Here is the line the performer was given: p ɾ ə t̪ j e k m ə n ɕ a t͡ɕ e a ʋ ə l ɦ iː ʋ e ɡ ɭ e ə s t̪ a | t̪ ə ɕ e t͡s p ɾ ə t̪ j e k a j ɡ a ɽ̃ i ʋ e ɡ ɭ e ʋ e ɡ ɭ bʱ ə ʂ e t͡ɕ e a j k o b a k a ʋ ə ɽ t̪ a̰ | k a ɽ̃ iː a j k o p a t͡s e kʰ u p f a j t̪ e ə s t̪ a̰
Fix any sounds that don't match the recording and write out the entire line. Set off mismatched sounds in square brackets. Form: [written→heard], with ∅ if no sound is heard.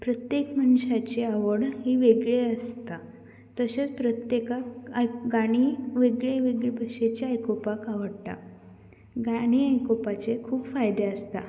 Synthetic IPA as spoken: p ɾ ə t̪ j e k m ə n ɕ a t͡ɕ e a ʋ ə [l→ɽ] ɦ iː ʋ e ɡ ɭ e ə s t̪ a | t̪ ə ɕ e t͡s p ɾ ə t̪ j e k a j ɡ a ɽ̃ i ʋ e ɡ ɭ e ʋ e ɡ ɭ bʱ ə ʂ e t͡ɕ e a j k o [b→p] a k a ʋ ə ɽ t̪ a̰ | [k→ɡ] a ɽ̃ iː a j k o p a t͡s e kʰ [u→uː] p f a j [t̪→d̪] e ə s t̪ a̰